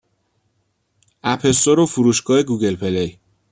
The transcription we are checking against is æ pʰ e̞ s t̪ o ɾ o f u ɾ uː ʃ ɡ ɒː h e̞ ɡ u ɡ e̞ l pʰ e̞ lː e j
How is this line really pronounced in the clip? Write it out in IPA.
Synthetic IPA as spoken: æ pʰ e̞ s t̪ o ɾ o f u ɾ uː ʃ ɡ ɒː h e̞ ɡ u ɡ e̞ l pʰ e̞ l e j